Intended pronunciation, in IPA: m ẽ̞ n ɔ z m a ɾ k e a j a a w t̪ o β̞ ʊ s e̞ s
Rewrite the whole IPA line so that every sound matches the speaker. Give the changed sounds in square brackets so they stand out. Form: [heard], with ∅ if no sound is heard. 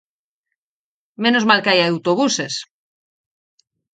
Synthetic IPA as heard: m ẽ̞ n [o] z m a [l] k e a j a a w t̪ o β̞ [u] s e̞ s